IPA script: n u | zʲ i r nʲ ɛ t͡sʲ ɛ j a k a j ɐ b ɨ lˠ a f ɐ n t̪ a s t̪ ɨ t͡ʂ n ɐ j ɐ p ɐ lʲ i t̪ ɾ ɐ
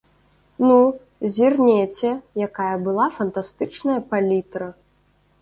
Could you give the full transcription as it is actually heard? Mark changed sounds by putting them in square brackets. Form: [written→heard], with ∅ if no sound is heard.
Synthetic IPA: n u | zʲ i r nʲ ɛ t͡sʲ ɛ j a k a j ɐ b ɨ lˠ a f ɐ n t̪ a s t̪ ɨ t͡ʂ n ɐ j ɐ p [ɐ→a] lʲ i t̪ ɾ ɐ